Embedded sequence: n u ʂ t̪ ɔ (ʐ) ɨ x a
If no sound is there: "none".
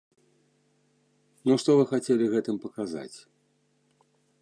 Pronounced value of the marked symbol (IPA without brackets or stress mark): v